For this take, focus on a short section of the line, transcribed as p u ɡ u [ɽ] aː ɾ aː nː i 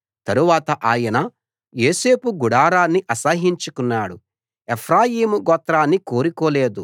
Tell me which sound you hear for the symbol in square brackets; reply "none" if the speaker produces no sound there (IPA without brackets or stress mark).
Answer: ɽ